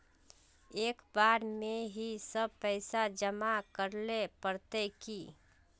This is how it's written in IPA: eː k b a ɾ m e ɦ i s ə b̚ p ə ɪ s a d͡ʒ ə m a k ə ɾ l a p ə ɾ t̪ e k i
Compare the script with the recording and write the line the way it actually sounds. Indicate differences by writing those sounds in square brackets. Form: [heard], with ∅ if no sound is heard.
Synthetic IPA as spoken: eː k b a ɾ m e ɦ i s ə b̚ p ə ɪ s a d͡ʒ ə m a k ə ɾ l [e] p ə ɾ t̪ e k i